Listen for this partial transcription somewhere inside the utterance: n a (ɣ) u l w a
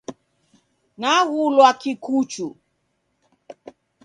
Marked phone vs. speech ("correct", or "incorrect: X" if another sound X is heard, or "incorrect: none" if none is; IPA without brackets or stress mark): correct